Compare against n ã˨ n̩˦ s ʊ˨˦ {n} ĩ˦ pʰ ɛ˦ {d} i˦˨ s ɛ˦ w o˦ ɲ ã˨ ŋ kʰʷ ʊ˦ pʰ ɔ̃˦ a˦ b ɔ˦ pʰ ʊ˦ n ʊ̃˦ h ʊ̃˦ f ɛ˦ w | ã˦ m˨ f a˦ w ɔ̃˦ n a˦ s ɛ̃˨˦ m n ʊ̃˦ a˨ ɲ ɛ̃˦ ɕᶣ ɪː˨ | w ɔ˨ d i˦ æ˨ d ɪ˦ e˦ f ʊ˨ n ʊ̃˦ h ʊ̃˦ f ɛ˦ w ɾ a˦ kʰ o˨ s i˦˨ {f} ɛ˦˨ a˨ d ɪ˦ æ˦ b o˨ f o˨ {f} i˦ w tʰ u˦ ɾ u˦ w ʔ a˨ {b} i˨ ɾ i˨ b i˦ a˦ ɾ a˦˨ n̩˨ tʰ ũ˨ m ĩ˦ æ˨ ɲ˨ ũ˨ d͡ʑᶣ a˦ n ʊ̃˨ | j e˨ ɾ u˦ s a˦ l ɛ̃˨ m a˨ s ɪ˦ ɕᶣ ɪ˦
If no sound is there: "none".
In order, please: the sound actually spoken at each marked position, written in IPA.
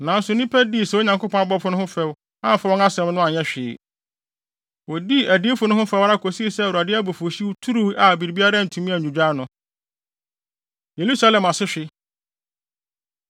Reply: n, d, s, ɕ, b

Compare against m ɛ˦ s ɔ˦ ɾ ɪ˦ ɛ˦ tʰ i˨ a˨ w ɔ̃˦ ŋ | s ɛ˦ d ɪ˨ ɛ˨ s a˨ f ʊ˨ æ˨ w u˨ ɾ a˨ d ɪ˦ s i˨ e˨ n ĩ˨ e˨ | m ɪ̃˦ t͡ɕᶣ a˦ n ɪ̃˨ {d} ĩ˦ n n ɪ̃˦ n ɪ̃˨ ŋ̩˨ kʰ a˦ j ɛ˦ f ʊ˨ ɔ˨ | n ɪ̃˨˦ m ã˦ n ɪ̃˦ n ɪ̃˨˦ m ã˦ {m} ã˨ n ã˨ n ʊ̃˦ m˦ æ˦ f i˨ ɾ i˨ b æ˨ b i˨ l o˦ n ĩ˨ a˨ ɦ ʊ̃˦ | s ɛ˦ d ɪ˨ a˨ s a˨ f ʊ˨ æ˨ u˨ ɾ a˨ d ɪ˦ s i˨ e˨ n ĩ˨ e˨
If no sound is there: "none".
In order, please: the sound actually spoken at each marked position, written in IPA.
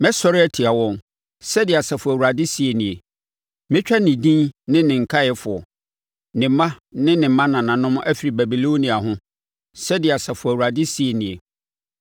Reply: d, n

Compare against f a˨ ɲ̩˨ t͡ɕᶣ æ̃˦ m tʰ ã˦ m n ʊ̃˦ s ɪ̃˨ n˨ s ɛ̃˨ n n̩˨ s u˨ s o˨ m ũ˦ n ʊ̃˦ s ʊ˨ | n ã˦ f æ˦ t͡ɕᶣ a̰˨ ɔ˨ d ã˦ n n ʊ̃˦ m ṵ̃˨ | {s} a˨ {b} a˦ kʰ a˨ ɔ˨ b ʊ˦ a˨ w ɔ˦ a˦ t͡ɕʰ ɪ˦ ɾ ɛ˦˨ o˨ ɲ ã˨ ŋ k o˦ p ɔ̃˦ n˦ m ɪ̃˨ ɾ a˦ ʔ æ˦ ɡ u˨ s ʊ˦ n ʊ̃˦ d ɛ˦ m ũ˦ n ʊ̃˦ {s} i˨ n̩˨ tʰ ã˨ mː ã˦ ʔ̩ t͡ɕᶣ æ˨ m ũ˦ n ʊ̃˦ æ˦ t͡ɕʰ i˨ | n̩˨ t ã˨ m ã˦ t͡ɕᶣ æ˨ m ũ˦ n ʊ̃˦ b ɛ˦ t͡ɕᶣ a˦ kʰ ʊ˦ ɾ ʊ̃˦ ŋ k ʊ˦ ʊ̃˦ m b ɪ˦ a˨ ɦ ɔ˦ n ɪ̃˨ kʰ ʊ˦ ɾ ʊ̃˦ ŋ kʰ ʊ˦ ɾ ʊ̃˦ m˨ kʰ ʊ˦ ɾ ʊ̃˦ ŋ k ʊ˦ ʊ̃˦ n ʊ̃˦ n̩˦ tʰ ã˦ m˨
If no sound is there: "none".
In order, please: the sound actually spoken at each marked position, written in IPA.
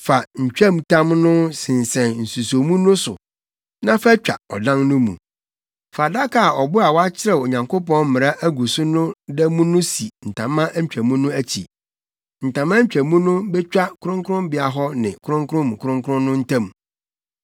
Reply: f, d, s

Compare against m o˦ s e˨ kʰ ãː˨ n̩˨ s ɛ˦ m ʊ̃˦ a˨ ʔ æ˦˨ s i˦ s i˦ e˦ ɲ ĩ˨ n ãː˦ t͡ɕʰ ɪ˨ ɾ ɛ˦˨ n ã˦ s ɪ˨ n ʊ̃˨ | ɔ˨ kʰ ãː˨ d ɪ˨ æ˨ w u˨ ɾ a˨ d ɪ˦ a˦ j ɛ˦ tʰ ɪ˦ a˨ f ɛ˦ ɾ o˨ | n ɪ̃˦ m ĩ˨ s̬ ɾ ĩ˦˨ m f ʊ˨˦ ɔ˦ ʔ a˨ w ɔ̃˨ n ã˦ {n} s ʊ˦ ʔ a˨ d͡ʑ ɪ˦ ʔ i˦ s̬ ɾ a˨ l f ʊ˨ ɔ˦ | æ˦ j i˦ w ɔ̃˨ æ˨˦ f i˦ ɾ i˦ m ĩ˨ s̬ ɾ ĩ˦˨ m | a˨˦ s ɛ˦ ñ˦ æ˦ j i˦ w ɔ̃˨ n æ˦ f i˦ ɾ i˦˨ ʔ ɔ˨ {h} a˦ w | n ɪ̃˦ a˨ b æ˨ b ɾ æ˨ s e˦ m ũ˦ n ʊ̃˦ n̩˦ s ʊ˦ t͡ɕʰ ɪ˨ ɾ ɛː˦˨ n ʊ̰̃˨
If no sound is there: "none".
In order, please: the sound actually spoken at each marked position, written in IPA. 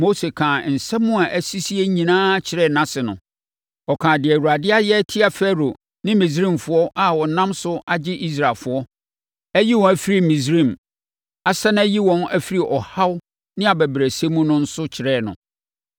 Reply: m, h

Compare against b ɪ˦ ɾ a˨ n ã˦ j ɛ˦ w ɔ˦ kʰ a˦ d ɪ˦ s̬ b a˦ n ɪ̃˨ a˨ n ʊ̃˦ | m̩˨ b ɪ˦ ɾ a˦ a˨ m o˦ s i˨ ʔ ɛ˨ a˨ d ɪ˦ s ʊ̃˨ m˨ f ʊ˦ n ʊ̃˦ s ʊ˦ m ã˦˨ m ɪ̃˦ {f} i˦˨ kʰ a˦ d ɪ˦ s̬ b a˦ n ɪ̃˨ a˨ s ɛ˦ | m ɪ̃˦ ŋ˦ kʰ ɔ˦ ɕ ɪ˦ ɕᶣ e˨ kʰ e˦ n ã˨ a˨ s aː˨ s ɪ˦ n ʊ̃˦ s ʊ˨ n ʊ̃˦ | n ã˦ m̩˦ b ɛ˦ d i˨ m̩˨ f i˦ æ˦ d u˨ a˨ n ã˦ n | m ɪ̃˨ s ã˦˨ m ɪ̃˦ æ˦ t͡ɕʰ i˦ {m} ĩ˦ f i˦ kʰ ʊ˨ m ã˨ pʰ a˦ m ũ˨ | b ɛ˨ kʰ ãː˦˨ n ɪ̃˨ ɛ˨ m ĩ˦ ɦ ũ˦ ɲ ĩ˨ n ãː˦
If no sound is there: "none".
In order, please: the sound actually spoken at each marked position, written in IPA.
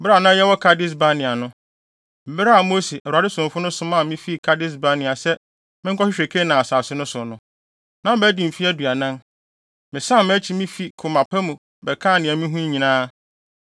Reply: f, m

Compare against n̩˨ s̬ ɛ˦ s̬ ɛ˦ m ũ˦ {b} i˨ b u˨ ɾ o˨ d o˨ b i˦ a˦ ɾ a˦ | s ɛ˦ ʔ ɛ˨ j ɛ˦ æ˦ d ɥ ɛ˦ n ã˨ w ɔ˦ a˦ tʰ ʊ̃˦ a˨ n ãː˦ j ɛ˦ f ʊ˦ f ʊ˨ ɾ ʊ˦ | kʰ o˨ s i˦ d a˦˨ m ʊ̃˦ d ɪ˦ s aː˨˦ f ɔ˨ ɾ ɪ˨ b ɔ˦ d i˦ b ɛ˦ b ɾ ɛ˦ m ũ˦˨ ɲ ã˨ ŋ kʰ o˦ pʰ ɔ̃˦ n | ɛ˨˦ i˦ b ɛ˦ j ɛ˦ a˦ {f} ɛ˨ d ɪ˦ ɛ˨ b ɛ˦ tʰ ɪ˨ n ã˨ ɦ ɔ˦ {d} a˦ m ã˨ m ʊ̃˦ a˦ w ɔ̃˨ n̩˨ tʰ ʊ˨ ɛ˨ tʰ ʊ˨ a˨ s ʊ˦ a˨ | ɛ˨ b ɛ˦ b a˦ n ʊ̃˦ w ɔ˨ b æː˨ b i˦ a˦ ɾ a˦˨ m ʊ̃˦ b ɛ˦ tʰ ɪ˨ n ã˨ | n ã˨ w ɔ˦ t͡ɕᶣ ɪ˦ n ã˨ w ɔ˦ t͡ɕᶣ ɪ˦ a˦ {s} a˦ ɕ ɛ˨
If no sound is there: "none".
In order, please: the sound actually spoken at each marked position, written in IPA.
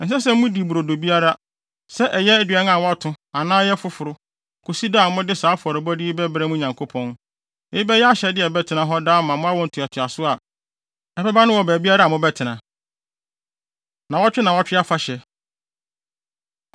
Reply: d, ɕ, d, f

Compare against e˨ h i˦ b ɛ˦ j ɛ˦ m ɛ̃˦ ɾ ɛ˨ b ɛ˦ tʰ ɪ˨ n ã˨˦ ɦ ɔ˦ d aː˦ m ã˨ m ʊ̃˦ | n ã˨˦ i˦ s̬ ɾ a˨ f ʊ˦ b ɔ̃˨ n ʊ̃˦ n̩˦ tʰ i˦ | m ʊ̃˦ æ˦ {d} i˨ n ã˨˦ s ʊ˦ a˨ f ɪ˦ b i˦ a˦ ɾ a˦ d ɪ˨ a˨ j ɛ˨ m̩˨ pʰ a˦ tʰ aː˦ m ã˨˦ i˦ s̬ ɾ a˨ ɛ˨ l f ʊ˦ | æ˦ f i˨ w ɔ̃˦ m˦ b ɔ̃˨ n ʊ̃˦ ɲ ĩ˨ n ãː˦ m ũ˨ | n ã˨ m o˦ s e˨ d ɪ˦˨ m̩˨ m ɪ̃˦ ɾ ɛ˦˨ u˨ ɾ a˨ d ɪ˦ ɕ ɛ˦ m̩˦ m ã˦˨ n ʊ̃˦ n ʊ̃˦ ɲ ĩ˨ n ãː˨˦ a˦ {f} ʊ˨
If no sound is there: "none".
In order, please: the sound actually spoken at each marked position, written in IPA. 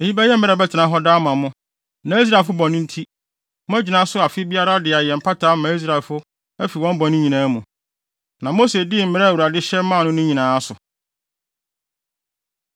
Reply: d͡ʑ, s

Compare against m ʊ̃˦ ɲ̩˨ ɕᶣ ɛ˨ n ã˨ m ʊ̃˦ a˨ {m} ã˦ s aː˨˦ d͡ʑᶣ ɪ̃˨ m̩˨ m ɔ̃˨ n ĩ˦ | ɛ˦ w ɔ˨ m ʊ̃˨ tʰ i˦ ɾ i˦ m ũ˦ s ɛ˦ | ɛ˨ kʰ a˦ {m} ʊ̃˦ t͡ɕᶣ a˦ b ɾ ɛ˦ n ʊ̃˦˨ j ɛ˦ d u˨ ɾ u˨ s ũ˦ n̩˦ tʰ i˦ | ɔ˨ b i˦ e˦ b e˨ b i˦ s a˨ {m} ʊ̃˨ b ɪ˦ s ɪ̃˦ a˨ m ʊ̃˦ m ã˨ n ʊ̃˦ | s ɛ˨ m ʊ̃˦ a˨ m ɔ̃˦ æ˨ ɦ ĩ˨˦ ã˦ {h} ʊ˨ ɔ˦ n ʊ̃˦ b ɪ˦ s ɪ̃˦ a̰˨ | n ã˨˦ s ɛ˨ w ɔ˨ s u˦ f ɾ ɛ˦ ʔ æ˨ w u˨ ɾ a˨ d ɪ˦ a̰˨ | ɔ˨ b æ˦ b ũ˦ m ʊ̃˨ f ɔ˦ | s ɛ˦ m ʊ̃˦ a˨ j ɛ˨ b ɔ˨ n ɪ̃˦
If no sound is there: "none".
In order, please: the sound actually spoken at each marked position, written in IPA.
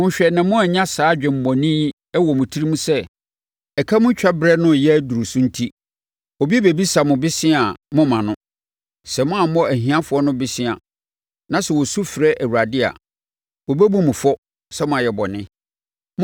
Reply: ɲ, m, m, f

